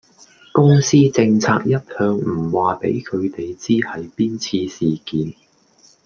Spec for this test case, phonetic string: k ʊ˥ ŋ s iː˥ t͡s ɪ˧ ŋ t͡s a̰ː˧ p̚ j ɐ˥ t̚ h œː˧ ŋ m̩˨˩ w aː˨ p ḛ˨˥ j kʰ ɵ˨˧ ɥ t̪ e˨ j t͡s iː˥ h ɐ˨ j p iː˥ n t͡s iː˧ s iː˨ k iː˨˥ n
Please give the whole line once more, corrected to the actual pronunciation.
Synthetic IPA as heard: k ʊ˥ ŋ s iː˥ t͡s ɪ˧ ŋ t͡sʰ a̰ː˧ k̚ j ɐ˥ t̚ h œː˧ ŋ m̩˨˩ w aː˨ p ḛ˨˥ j kʰ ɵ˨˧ ɥ t̪ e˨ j t͡s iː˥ h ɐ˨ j p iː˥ n t͡sʰ iː˧ s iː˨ k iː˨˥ n

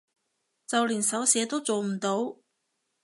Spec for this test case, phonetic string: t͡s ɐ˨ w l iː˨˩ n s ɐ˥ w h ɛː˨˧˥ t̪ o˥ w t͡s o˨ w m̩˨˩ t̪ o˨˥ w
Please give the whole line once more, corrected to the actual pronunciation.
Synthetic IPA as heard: t͡s ɐ˨ w l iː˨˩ n s ɐ˨˥ w s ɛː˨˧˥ t̪ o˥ w t͡s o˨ w m̩˨˩ t̪ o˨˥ w

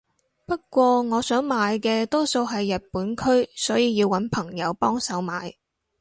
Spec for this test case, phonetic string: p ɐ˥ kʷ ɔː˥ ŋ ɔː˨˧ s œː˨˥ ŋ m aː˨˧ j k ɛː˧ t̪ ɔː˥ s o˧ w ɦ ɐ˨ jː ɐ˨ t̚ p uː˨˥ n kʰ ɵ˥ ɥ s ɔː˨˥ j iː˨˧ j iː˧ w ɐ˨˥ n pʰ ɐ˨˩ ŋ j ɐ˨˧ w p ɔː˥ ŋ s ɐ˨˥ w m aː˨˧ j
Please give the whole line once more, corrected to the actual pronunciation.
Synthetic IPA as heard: p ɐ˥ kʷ ɔː˧ ŋ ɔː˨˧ s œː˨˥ ŋ m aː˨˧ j k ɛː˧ t̪ ɔː˥ s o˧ w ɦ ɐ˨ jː ɐ˨ t̚ p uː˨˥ n kʰ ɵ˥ ɥ s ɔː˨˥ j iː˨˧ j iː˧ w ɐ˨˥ n pʰ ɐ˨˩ ŋ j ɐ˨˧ w p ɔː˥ ŋ s ɐ˨˥ w m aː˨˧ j

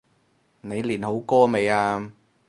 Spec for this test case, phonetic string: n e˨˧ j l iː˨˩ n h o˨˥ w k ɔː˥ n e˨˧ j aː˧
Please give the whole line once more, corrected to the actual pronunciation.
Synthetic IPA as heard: n e˨˧ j l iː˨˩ n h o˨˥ w k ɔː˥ m e˨˧ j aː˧

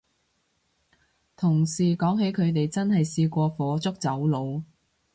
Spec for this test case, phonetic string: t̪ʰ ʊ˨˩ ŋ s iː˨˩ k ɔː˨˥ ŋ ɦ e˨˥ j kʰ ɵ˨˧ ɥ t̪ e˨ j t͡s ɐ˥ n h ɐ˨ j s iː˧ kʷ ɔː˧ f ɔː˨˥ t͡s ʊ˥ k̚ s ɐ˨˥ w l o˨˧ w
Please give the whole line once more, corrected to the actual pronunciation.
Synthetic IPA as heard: t̪ʰ ʊ˨˩ ŋ s iː˨˩ k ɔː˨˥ ŋ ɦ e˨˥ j kʰ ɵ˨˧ ɥ t̪ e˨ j t͡s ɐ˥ n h ɐ˨ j s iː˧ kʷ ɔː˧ f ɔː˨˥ t͡s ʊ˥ k̚ t͡s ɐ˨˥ w l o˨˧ w

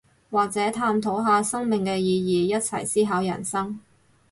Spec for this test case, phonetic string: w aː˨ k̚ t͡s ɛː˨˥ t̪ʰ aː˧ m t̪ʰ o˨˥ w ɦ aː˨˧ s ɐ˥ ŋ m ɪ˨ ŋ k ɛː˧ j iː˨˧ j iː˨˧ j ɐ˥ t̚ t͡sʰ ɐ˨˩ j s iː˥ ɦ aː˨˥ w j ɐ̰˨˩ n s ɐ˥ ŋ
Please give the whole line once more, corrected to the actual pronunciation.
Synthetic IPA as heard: w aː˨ k̚ t͡s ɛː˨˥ t̪ʰ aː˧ m t̪ʰ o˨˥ w ɦ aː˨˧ s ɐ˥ ŋ m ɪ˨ ŋ k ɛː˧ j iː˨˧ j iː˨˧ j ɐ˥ t̚ t͡sʰ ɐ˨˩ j s iː˥ ɦ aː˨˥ w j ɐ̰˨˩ n s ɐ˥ ŋ

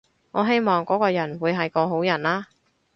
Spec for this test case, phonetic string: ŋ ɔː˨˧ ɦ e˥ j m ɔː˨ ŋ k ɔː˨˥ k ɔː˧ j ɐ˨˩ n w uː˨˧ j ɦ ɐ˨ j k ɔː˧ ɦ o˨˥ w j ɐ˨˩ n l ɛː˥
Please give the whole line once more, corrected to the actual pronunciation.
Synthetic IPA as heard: ŋ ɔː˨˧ ɦ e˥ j m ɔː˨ ŋ k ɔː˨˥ k ɔː˧ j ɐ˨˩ n w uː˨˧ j ɦ ɐ˨ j k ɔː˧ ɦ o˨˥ w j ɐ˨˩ n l aː˥

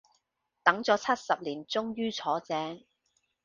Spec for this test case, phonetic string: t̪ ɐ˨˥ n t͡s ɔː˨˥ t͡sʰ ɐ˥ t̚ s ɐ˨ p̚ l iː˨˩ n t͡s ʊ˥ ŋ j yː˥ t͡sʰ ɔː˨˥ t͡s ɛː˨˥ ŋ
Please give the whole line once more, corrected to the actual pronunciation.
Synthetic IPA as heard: t̪ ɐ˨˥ ŋ t͡s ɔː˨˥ t͡sʰ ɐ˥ t̚ s ɐ˨ p̚ l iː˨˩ n t͡s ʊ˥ ŋ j yː˥ t͡sʰ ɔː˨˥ t͡s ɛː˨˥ ŋ

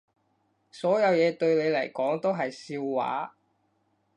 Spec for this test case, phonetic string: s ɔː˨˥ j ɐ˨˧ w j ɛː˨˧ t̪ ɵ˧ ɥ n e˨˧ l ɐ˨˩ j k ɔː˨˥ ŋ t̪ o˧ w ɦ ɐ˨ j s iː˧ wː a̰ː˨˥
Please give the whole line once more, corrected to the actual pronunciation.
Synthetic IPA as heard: s ɔː˨˥ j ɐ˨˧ w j ɛː˨˧ t̪ ɵ˧ ɥ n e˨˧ l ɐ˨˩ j k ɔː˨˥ ŋ t̪ o˥ w ɦ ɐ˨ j s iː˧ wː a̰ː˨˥

